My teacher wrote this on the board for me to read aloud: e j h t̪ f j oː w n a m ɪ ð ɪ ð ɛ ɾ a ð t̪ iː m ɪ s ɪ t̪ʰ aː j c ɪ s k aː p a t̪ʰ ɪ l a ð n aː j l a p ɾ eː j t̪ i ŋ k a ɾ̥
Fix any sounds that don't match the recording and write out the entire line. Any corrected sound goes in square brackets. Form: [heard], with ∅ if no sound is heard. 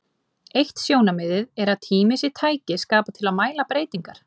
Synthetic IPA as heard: e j h t̪ [s] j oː w n a m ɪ ð ɪ ð ɛ ɾ a ð [t̪ʰ] iː m ɪ s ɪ t̪ʰ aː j c ɪ s k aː p a t̪ʰ ɪ l a ð [m] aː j l a p ɾ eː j t̪ i ŋ k a ɾ̥